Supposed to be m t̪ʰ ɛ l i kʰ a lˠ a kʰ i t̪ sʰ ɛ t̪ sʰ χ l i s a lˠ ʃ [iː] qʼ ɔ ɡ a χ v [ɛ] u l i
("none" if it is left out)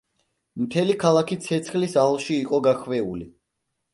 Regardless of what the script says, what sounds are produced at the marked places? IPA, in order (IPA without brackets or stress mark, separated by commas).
iː, ɛ